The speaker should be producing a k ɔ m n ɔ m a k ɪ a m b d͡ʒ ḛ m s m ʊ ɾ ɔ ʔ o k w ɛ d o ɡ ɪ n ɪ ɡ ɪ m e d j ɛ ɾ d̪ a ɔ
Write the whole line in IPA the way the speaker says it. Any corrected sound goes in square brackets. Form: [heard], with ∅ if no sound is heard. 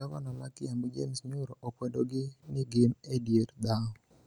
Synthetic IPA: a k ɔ [∅] n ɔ m a k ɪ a m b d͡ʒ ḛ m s [ɲ] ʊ ɾ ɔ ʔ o k w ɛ d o ɡ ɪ n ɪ ɡ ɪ m e d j [e] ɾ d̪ a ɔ